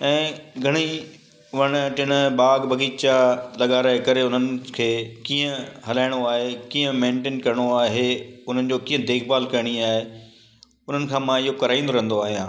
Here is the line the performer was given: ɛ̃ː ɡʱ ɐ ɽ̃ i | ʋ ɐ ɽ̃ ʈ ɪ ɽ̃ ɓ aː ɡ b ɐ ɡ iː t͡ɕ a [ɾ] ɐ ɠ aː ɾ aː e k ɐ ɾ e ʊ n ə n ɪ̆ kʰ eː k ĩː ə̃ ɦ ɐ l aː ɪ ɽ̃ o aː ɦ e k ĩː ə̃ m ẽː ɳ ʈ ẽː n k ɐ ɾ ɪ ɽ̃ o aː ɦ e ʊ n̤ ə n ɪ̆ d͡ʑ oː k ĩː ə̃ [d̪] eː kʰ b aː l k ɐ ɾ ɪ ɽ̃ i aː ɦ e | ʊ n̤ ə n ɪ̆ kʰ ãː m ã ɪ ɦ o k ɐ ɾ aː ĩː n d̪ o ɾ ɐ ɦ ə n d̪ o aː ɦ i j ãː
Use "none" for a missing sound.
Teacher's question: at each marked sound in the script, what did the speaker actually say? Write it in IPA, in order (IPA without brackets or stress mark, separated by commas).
l, d̪